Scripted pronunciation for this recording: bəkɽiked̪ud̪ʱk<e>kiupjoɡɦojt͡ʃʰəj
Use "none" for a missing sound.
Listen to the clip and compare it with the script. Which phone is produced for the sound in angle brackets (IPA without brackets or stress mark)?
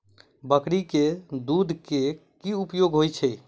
e